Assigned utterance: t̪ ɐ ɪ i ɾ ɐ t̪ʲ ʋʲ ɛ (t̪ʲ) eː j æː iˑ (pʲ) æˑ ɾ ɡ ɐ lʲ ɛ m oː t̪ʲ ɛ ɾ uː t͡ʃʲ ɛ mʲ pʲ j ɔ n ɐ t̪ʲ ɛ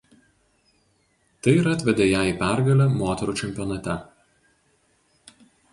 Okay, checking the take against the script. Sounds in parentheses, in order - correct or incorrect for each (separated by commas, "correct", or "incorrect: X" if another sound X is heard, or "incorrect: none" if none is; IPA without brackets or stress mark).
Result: incorrect: d̪ʲ, correct